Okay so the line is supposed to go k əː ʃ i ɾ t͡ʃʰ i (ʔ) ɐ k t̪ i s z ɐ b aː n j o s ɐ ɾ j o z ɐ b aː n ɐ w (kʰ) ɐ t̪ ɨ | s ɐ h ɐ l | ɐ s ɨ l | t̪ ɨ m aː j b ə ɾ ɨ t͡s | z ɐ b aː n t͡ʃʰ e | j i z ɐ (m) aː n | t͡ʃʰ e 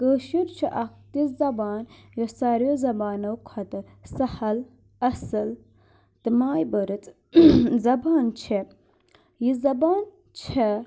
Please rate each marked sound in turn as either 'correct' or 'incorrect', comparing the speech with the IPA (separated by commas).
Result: correct, correct, incorrect